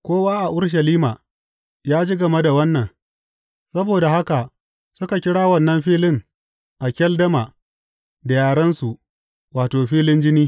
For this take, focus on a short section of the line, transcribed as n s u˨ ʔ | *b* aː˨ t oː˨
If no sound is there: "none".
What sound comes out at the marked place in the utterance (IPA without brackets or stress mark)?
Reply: w